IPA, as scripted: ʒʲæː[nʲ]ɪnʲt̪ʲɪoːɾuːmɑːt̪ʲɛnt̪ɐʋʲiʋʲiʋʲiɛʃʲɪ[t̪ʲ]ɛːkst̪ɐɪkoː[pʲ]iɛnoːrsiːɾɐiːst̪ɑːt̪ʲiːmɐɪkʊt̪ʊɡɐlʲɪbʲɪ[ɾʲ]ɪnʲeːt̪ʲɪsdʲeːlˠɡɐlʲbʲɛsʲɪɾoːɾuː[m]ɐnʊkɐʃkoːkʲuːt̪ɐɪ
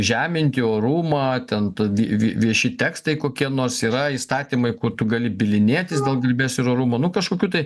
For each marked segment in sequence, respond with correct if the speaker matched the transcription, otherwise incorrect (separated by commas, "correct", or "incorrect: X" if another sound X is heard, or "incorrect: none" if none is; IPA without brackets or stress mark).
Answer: incorrect: mʲ, correct, incorrect: kʲ, incorrect: lʲ, correct